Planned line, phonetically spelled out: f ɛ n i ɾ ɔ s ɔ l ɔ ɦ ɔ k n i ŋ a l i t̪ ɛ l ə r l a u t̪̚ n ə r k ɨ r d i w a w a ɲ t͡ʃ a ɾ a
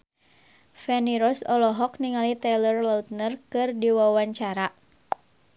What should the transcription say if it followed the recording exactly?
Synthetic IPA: f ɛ n i ɾ ɔ s ɔ l ɔ ɦ ɔ k n i ŋ a l i t̪ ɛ l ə r l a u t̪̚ n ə r k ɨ r d i w a w a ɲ t͡ʃ a ɾ a